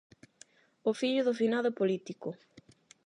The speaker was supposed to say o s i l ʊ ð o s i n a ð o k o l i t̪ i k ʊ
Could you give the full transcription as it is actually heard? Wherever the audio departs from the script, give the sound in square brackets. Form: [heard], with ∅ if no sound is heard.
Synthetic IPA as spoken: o [f] i [ʎ] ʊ ð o [f] i n a ð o [p] o l i t̪ i k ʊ